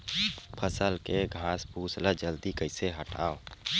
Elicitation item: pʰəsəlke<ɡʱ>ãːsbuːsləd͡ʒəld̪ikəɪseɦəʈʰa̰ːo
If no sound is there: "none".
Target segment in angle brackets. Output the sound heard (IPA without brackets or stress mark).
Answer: ɡʱ